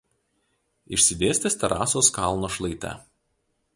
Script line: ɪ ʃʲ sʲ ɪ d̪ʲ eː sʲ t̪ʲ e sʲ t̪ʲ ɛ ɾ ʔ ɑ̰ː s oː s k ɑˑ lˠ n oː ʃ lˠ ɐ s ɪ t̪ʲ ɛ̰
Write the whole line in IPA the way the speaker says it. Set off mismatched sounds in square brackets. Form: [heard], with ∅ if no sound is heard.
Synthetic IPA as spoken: ɪ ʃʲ sʲ ɪ d̪ʲ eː sʲ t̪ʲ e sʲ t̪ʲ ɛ ɾ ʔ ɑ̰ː s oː s k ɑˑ lˠ n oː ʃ lˠ ɐ [∅] ɪ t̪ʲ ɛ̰